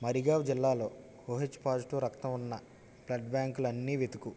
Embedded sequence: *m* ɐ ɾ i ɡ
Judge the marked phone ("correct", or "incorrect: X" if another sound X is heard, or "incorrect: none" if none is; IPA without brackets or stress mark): correct